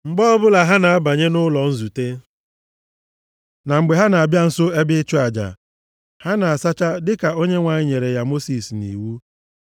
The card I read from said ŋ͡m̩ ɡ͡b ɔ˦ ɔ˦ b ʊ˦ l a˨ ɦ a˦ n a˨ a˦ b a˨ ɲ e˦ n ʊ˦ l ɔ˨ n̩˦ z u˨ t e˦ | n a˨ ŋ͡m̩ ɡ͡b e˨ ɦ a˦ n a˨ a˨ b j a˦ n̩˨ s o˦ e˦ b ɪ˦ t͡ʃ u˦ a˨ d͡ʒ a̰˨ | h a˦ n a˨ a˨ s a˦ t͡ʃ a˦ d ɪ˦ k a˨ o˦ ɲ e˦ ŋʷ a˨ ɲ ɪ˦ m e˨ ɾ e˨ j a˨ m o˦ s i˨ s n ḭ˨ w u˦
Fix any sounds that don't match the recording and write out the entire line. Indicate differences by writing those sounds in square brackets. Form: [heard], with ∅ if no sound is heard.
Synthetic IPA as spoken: ŋ͡m̩ ɡ͡b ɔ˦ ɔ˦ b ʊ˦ l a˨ ɦ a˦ n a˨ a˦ b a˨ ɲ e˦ n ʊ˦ l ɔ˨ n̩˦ z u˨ t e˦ | n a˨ ŋ͡m̩ ɡ͡b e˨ ɦ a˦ n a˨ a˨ b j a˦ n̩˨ s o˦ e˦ b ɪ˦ t͡ʃ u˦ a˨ d͡ʒ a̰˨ | h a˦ n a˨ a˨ s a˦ t͡ʃ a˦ d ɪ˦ k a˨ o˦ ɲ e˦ ŋʷ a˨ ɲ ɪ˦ [ɲ] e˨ ɾ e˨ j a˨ m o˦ s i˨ s n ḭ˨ w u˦